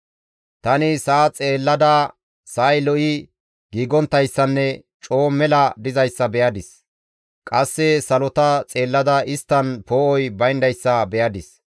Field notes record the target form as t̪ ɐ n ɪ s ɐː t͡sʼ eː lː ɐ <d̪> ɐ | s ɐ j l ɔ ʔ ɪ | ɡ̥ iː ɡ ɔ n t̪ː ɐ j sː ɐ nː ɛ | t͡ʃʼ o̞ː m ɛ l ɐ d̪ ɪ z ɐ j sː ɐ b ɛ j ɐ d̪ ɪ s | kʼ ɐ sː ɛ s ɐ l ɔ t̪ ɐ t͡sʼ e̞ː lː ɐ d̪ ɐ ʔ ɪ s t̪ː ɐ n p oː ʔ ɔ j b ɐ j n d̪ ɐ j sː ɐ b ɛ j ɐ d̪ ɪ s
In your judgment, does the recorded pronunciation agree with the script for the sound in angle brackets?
yes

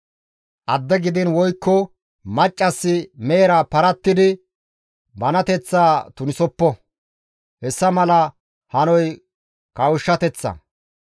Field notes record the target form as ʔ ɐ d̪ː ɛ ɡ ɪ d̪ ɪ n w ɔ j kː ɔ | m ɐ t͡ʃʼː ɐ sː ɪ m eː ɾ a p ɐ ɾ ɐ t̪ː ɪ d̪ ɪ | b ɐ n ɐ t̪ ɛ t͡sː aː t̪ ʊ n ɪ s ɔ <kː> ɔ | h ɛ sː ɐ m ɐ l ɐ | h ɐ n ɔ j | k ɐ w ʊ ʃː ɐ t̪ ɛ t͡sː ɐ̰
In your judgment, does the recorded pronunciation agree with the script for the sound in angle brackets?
no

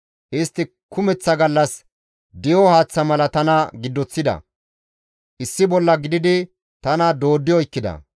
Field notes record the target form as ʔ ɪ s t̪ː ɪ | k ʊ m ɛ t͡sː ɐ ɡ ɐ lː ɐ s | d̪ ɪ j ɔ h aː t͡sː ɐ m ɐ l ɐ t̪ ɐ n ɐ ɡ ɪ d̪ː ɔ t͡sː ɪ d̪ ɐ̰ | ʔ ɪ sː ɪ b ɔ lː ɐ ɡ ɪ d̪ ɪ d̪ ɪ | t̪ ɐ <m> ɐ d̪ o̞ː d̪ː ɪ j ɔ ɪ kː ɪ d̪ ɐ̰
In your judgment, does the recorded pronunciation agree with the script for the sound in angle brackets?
no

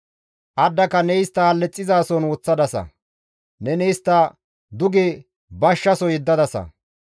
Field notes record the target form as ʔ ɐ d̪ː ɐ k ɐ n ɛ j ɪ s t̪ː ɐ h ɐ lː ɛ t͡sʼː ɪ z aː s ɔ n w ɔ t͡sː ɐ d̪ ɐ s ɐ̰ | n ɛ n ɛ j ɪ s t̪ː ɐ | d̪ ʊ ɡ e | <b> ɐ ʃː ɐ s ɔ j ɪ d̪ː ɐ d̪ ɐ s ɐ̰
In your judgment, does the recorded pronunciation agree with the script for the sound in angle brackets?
yes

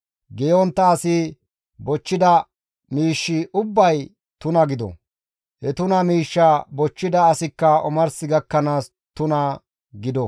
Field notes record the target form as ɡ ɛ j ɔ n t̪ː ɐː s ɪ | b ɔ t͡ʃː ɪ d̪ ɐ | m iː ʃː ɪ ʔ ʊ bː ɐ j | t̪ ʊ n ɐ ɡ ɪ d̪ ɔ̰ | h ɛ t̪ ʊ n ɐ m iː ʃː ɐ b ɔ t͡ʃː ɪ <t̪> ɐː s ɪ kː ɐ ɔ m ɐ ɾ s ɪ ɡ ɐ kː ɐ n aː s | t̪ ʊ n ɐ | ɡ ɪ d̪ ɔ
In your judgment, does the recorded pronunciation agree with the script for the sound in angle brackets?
no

